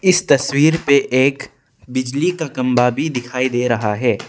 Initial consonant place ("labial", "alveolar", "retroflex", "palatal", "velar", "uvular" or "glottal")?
alveolar